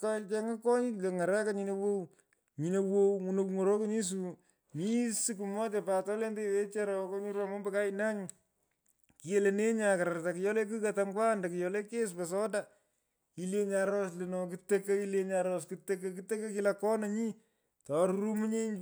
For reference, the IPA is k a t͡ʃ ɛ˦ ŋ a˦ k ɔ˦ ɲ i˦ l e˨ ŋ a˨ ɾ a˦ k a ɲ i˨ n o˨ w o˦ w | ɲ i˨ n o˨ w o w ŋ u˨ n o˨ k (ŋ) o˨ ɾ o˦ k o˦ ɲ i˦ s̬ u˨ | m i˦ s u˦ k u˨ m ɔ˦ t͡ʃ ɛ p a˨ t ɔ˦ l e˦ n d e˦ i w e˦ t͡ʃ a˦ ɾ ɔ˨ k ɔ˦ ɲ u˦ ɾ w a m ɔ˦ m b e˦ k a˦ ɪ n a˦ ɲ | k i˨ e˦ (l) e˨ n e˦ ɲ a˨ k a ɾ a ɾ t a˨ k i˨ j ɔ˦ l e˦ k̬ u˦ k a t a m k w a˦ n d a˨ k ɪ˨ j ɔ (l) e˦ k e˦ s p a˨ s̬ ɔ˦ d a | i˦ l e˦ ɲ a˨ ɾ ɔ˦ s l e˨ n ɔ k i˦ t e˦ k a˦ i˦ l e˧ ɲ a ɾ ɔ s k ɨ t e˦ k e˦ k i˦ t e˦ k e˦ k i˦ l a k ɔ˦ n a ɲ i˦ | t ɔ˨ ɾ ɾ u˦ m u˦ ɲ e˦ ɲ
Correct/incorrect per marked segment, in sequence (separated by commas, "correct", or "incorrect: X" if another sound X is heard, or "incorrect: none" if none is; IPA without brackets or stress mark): correct, correct, correct